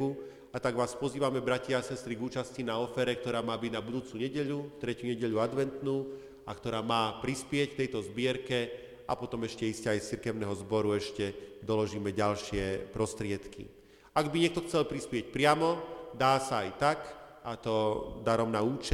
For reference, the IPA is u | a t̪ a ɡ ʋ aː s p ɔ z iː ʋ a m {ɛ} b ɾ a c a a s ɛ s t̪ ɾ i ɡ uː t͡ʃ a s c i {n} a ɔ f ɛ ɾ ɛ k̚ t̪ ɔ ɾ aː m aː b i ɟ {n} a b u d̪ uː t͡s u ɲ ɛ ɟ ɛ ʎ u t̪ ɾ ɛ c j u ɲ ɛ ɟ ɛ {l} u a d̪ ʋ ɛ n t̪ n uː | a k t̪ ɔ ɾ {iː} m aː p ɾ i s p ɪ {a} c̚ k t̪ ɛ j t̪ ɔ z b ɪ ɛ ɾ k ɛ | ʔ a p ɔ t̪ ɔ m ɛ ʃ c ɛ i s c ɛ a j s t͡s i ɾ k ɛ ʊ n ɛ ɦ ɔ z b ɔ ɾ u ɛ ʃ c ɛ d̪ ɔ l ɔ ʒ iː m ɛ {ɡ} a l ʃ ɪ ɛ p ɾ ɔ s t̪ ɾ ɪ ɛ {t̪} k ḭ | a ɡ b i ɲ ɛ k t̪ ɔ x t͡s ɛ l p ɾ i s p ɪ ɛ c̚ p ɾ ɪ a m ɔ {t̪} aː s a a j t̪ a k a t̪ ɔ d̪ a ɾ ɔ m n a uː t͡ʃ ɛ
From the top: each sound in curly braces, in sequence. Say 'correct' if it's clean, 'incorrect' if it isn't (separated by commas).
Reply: correct, correct, correct, incorrect, incorrect, incorrect, incorrect, correct, incorrect